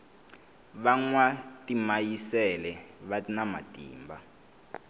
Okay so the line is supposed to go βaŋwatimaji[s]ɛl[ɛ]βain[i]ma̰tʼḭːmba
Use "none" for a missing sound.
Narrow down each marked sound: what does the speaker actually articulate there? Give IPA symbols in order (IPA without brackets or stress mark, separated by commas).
s, ɛ, a